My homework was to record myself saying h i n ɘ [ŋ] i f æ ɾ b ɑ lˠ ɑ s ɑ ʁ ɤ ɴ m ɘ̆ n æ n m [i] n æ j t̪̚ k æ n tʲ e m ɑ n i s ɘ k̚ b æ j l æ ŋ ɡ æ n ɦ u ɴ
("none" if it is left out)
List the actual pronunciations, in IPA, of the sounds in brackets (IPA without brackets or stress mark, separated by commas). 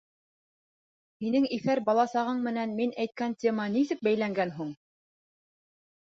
ŋ, i